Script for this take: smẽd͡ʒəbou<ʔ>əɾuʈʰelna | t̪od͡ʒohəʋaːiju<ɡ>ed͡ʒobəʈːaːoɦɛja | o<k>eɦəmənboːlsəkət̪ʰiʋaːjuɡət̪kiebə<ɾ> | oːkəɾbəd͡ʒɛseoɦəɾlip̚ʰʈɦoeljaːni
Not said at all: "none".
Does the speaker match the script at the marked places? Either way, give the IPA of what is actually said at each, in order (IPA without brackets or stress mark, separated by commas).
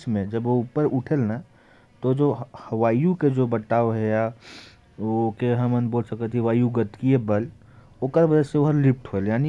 p, k, k, l